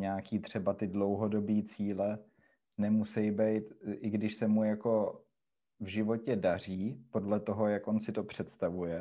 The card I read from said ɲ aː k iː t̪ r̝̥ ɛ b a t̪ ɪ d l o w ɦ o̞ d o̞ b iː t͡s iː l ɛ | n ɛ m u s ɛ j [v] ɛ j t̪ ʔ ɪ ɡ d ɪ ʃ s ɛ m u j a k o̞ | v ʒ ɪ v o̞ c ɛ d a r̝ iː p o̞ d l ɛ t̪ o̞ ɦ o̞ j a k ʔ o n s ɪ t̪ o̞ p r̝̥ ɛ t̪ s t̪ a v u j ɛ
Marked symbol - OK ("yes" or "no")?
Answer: no